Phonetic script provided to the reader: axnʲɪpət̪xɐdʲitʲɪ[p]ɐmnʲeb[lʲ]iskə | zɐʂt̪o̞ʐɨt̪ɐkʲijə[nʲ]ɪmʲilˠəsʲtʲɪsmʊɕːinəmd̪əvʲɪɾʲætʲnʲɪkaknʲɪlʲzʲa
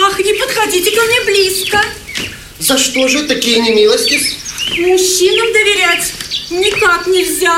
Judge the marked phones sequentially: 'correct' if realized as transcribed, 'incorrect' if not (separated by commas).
incorrect, correct, correct